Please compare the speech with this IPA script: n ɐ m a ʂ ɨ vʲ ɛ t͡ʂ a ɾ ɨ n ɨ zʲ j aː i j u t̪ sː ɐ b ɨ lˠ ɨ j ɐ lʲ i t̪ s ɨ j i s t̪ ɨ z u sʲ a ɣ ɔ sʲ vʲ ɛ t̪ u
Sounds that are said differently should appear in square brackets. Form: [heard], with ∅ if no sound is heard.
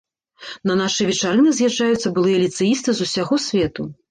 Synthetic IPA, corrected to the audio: n ɐ [n] a ʂ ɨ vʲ ɛ t͡ʂ a ɾ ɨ n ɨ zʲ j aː [a] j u t̪ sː ɐ b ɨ lˠ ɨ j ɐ lʲ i t̪ s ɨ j i s t̪ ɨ z u sʲ a ɣ ɔ sʲ vʲ ɛ t̪ u